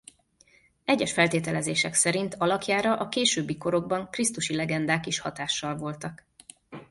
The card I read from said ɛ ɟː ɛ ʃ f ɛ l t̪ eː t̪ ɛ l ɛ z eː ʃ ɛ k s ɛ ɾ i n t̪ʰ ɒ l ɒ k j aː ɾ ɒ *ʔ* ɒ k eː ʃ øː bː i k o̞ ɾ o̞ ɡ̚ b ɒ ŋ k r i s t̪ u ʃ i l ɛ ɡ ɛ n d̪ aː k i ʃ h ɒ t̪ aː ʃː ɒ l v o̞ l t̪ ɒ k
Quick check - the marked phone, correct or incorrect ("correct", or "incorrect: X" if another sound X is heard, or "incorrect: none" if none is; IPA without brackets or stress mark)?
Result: correct